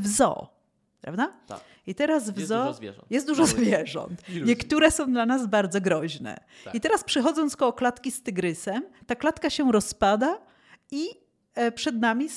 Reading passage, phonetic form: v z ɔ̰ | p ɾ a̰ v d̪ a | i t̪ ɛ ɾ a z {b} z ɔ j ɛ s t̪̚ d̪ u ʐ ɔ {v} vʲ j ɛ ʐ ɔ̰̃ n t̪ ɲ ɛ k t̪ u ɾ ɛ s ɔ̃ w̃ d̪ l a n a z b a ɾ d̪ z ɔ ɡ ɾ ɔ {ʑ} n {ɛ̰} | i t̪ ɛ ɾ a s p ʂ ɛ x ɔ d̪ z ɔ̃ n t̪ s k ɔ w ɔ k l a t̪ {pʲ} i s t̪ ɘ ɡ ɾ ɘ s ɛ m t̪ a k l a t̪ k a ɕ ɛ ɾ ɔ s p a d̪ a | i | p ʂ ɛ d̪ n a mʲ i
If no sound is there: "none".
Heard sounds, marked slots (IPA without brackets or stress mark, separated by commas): v, z, ʑ, ɛ̰, kʲ